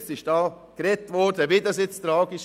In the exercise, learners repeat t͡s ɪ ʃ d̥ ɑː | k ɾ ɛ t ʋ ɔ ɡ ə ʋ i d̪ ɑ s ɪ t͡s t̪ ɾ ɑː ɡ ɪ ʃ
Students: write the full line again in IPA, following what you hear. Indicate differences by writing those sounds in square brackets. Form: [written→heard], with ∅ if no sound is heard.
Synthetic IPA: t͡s ɪ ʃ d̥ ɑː | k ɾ ɛ t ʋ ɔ [ɡ→d] ə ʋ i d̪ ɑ s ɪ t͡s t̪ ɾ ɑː ɡ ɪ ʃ

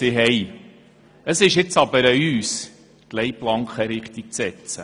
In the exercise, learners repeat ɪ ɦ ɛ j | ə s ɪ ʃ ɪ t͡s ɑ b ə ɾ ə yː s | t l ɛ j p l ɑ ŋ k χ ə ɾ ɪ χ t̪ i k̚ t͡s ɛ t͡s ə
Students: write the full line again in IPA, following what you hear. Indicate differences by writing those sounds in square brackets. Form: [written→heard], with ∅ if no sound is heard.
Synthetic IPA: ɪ ɦ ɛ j | ə s ɪ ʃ ɪ t͡s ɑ b ə ɾ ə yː s | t l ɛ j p l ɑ ŋ k χ ə ɾ ɪ χ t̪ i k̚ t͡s ɛ t͡s ə

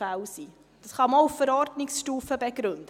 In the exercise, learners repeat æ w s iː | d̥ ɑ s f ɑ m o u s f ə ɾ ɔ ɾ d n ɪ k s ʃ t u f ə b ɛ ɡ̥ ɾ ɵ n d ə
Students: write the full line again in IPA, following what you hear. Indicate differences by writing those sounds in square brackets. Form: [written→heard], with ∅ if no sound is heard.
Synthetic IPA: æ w s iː | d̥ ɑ s [f→χ] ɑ m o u [s→f] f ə ɾ ɔ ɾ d n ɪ k s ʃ t [u→uː] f ə b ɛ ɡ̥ ɾ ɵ n d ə

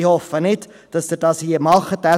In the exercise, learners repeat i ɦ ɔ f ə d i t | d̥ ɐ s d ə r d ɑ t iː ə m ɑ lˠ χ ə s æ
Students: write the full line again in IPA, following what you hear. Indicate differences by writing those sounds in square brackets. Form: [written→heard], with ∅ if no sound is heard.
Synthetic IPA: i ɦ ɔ f ə [d→n] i t | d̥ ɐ s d ə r d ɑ [t→s] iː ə m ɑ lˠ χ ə [s→t] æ

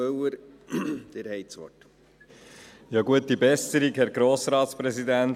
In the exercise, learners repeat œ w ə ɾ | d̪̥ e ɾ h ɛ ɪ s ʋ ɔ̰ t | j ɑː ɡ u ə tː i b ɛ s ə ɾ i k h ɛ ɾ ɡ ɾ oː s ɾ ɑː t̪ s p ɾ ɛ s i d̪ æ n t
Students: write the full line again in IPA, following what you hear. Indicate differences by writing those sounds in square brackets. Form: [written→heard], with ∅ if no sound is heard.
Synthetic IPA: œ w ə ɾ | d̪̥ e ɾ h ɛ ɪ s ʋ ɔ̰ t | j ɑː ɡ u ə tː i b ɛ s ə ɾ i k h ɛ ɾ ɡ ɾ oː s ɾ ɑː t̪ s p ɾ ɛ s i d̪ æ n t

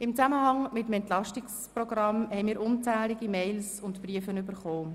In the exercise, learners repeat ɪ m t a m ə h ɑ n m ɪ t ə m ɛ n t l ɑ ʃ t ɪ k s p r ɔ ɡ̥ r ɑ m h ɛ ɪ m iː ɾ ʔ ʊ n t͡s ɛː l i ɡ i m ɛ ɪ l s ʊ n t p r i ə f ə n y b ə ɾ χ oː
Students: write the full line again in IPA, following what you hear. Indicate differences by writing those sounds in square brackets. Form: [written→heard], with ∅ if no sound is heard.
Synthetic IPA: ɪ m [t→t͡s] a m ə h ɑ [n→ŋ] m ɪ t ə m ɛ n t l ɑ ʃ t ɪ k s p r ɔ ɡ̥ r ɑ m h ɛ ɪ m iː ɾ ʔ ʊ n t͡s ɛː l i ɡ i m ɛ ɪ l s ʊ n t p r i ə f ə n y b ə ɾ χ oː

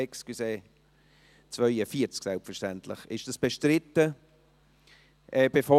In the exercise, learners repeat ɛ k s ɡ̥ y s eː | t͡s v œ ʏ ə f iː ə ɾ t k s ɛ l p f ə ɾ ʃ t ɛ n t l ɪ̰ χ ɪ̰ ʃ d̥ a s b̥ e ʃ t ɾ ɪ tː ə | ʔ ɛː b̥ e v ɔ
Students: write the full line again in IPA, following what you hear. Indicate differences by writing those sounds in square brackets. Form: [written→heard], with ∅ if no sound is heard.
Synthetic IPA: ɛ k s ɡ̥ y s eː | t͡s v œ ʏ ə f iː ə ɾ [t→t͡s] k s ɛ l p f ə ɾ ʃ t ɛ n t l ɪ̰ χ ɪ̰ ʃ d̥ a s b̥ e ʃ t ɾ ɪ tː ə | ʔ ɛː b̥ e [v→f] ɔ

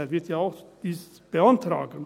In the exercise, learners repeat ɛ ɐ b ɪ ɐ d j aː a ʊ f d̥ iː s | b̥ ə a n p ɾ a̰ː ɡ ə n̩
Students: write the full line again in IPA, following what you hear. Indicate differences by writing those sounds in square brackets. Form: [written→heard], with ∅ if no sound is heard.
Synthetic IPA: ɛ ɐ [b→v] ɪ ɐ [d→t] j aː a ʊ [f→x] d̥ iː s | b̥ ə a n [p→t] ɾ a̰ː ɡ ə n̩

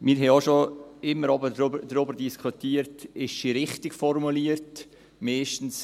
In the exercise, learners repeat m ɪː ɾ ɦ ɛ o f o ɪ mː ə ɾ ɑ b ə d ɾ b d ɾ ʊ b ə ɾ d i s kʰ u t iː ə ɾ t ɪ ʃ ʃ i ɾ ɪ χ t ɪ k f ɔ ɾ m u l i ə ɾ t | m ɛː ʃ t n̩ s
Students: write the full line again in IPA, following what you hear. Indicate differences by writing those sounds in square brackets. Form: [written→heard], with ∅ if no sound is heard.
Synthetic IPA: m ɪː ɾ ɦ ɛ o [f→ʃ] o ɪ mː ə ɾ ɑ b ə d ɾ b d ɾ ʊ b ə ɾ d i s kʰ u t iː ə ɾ t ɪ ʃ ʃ i ɾ ɪ χ t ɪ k f ɔ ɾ m u l i ə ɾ t | m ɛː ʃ t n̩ s

